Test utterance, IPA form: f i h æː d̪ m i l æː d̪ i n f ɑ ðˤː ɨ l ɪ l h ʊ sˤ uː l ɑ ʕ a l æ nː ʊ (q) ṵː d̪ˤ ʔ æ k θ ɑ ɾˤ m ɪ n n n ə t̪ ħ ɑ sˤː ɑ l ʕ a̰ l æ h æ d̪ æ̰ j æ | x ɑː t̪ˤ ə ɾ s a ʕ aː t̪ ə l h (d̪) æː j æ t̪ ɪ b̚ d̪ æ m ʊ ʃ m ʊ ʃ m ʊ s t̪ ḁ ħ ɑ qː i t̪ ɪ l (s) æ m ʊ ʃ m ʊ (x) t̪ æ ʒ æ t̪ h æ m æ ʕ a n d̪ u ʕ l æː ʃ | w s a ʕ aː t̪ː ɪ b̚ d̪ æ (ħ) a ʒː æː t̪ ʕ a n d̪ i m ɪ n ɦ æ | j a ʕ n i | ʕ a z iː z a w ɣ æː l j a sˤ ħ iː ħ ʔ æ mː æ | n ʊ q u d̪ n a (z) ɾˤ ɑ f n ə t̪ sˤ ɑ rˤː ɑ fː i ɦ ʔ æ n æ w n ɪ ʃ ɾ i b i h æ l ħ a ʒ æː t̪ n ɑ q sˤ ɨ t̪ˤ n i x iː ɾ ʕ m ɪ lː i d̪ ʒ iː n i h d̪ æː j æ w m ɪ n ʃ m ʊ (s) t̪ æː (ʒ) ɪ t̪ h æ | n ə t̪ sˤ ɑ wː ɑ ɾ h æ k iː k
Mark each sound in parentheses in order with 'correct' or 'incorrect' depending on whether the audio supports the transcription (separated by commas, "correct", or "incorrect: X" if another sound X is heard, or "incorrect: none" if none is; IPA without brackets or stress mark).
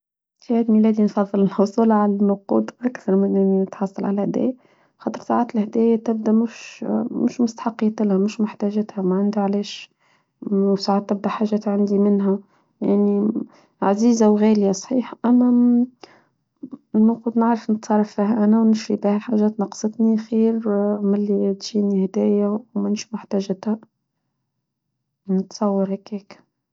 correct, correct, incorrect: h, incorrect: ħ, correct, incorrect: ʕ, incorrect: ħ, correct